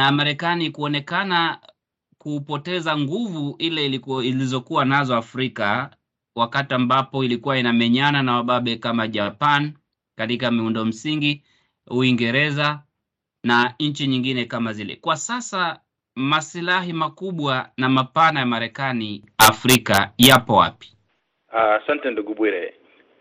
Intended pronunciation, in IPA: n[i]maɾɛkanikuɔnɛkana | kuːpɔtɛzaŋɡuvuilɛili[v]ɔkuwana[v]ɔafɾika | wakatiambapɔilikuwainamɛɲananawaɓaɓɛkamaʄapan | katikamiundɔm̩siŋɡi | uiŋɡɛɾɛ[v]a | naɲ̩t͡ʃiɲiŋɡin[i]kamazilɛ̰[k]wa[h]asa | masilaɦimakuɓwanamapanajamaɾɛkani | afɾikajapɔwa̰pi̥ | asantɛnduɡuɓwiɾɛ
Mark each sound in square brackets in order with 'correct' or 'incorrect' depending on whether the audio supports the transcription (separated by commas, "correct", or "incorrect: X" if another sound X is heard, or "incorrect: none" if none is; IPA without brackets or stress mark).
incorrect: a, incorrect: z, incorrect: z, incorrect: z, incorrect: ɛ, correct, incorrect: s